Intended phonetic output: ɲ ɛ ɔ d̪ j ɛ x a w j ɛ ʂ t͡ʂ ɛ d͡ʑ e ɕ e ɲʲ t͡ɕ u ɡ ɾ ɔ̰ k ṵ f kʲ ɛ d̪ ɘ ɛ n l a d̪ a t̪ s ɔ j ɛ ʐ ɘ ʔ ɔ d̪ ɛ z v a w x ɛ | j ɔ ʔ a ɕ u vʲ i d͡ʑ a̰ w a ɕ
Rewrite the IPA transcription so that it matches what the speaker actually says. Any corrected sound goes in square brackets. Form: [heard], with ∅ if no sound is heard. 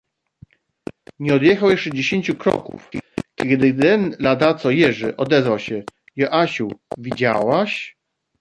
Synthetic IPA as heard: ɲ ɛ ɔ d̪ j ɛ x a w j ɛ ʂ t͡ʂ ɛ d͡ʑ e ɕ e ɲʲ t͡ɕ u [k] ɾ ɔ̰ k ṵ f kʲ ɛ d̪ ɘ ɛ n l a d̪ a t̪ s ɔ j ɛ ʐ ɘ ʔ ɔ d̪ ɛ z v a w [ɕ] ɛ | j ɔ ʔ a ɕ u vʲ i d͡ʑ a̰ w a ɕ